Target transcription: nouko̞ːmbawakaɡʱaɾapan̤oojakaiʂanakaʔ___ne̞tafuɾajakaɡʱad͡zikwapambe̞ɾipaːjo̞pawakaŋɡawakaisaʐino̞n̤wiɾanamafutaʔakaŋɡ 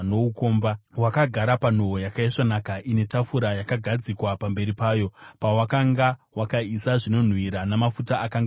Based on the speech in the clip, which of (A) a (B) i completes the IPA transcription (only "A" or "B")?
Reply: B